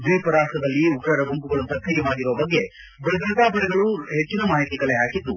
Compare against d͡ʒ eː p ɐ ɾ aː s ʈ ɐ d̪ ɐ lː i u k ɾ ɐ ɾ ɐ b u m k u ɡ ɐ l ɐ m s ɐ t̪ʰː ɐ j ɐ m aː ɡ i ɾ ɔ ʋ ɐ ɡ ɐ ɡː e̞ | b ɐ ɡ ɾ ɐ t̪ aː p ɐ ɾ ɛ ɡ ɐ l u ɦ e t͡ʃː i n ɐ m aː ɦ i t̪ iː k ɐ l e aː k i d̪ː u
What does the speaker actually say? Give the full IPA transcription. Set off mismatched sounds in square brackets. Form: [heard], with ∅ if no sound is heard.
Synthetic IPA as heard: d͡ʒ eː p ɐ ɾ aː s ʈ ɐ d̪ ɐ lː i u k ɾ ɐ ɾ ɐ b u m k u ɡ ɐ [ɭ] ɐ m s ɐ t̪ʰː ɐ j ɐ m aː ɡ i ɾ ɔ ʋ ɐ [b] ɐ ɡː e̞ | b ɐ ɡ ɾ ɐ t̪ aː p ɐ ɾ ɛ ɡ ɐ [ɭ] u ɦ e t͡ʃː i n ɐ m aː ɦ i t̪ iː k ɐ l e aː k i d̪ː u